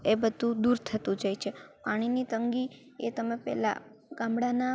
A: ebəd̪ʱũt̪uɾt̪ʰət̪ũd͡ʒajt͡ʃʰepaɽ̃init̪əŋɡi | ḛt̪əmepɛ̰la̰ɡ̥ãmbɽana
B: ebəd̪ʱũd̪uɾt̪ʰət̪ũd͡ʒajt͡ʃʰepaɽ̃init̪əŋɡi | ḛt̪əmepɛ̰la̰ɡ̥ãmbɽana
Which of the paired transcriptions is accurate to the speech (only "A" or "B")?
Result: B